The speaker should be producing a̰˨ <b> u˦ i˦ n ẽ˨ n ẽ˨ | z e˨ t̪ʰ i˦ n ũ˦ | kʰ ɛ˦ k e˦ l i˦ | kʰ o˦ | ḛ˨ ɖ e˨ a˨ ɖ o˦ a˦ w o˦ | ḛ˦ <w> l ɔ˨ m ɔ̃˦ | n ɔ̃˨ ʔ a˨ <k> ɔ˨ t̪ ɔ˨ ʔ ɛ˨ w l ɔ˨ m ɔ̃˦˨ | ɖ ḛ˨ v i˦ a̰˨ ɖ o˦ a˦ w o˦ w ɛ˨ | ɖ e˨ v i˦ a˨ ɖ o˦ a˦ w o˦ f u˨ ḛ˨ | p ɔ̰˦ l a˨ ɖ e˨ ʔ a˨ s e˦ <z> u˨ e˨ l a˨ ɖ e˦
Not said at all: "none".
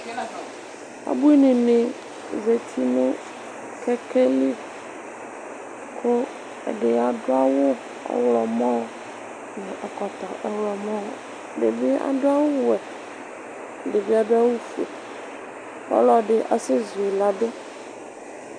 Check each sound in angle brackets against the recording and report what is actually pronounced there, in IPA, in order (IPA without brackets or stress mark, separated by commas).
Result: b, w, k, z